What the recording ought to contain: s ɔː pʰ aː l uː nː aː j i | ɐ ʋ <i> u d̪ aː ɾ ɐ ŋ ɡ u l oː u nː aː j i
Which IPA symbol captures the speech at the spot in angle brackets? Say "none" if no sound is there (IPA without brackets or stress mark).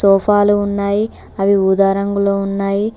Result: i